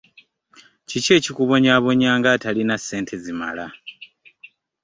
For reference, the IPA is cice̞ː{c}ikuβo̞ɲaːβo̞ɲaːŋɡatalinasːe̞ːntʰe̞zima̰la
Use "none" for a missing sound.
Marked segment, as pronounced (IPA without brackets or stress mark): c